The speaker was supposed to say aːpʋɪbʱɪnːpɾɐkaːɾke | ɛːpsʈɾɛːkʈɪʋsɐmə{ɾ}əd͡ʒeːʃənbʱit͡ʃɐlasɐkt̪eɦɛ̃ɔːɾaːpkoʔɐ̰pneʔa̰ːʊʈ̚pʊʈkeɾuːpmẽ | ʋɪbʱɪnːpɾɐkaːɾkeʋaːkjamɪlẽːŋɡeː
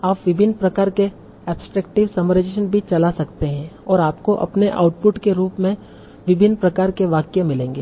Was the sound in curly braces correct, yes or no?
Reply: yes